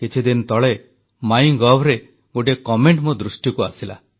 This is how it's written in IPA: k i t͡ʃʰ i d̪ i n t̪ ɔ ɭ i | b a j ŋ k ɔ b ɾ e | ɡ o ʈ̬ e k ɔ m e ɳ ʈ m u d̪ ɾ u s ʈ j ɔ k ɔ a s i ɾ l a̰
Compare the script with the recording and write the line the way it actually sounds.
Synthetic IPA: k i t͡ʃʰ i d̪ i n t̪ ɔ ɭ e | m a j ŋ ɡ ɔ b ɾ e | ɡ o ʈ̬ e k ɔ m e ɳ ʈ m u d̪ ɾ u s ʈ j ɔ k u a s i l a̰